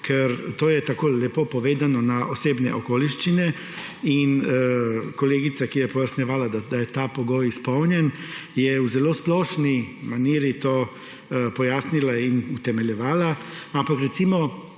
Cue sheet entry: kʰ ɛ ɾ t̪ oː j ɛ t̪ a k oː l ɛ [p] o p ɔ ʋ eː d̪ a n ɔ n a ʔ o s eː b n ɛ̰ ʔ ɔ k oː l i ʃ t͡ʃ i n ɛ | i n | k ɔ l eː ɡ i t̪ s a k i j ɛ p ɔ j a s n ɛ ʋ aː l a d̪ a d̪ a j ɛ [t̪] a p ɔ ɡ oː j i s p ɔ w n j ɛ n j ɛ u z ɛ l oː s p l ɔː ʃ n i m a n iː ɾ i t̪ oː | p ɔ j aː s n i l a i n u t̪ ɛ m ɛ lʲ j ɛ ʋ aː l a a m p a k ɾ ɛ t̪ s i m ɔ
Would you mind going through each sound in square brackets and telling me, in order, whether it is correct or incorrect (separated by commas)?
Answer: correct, correct